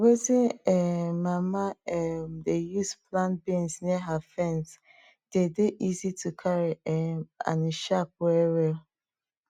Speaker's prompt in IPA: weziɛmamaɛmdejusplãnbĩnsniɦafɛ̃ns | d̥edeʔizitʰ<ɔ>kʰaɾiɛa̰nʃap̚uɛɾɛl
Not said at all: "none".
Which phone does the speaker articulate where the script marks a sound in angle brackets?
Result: u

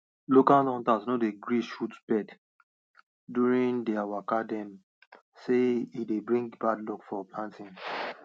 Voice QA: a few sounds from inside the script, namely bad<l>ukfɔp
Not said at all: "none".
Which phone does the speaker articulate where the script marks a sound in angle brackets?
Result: l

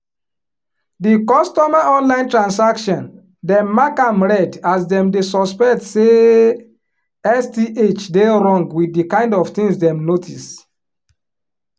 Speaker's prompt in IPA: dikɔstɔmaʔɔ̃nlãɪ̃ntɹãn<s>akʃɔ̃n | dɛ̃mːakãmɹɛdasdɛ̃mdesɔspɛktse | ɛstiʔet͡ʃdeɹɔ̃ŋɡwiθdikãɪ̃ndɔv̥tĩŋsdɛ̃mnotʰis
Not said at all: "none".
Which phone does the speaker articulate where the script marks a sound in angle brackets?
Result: s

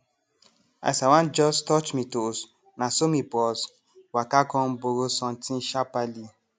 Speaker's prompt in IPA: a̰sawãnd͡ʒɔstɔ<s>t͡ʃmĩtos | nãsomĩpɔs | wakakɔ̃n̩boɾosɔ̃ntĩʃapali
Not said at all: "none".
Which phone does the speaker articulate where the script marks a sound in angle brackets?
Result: none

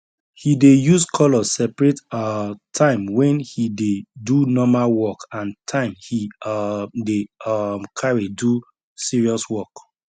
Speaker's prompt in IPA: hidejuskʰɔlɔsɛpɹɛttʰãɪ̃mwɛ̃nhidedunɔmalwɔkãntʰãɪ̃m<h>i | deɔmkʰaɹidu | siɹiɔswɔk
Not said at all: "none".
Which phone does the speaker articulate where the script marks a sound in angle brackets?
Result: h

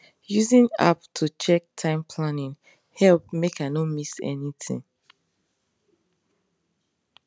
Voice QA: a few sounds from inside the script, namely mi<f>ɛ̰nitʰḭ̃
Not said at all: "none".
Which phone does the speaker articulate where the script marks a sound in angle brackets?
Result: s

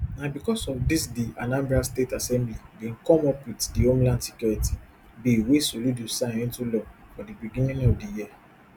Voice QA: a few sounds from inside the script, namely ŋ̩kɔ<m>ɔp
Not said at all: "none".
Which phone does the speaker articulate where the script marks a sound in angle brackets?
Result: m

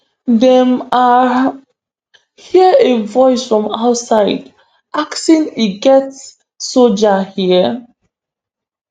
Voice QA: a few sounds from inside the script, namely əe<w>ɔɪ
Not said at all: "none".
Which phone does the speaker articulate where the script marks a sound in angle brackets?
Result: v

